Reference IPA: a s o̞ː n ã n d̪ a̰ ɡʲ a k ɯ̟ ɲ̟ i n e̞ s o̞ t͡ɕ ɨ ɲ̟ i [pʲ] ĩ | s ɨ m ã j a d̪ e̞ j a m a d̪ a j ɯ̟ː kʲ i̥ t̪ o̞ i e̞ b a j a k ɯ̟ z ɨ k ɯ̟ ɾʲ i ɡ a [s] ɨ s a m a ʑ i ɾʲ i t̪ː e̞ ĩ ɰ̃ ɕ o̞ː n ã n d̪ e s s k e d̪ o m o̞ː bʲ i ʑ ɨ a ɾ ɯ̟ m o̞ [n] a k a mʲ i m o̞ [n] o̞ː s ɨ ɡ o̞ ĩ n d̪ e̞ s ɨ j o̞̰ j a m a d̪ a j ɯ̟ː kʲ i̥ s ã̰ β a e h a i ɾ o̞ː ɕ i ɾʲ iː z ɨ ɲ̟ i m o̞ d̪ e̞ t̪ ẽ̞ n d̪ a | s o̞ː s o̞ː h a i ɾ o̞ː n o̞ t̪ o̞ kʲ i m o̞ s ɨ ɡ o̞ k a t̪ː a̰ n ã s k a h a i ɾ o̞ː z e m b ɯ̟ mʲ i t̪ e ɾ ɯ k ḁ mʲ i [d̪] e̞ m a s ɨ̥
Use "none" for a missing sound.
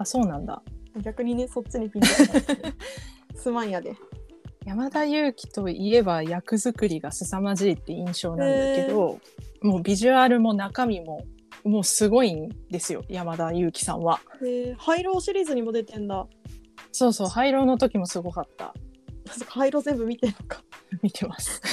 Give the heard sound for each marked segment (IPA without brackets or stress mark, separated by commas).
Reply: pʲ, s, n, m, t̪